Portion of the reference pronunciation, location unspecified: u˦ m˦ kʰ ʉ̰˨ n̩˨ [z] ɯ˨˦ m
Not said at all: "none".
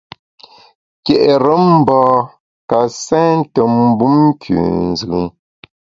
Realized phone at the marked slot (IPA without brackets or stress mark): z